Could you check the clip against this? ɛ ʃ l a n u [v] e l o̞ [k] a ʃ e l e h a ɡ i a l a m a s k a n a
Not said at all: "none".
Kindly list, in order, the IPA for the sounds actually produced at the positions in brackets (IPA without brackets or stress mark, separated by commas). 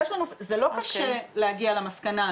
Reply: z, k